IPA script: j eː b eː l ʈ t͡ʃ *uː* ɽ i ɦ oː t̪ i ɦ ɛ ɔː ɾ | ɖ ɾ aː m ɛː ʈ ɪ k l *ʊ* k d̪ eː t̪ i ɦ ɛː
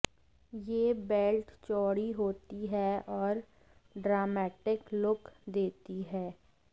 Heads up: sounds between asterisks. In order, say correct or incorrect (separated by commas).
incorrect, correct